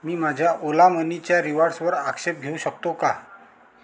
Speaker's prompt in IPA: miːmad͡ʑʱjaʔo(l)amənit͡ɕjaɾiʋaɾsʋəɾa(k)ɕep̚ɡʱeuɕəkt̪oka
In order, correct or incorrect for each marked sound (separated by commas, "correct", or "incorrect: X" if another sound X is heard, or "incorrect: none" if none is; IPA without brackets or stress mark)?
correct, correct